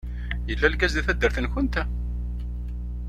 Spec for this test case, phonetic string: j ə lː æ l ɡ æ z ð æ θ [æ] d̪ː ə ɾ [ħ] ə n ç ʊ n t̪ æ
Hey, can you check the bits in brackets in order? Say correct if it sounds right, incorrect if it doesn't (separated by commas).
correct, incorrect